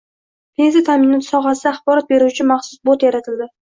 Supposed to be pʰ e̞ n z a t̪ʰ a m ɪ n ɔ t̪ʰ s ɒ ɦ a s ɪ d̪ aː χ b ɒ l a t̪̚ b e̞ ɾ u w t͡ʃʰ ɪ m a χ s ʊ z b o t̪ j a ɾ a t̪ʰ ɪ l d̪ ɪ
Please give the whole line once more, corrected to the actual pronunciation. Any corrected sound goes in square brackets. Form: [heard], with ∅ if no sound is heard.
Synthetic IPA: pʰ e̞ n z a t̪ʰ a m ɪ n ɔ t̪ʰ s ɒ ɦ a s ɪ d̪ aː χ b ɒ [ɾ] a t̪̚ b e̞ ɾ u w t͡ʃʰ ɪ m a χ s ʊ [s] b o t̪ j a ɾ a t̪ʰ ɪ l d̪ ɪ